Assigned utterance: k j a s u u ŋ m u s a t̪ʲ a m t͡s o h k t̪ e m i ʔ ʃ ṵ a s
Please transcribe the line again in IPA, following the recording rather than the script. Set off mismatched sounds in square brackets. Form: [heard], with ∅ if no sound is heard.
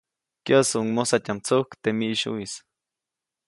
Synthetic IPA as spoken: k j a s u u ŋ m [o] s a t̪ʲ a m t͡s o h k t̪ e m i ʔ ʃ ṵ [i] s